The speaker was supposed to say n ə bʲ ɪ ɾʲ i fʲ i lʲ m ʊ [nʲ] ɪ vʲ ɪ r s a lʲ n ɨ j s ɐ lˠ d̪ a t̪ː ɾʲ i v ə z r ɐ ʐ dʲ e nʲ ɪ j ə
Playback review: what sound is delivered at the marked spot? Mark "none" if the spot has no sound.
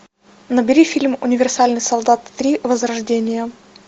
nʲ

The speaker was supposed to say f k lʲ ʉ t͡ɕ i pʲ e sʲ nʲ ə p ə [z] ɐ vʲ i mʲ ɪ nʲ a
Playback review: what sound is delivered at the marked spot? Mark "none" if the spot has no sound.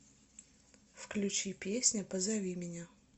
z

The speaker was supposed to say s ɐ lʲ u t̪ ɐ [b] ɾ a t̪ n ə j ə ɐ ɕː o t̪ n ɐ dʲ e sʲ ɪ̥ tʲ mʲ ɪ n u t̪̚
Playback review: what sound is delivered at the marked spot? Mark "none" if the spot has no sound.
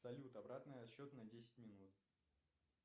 b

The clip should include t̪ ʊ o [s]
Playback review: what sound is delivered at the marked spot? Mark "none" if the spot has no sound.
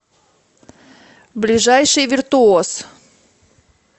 s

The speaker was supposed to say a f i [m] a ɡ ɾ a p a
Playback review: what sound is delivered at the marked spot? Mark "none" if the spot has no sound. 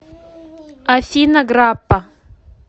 n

